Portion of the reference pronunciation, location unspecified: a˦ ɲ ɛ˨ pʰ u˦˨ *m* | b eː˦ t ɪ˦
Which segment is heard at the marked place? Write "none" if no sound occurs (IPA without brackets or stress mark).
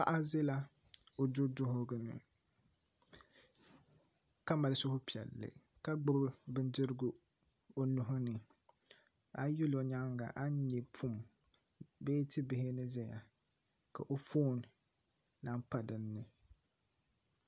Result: m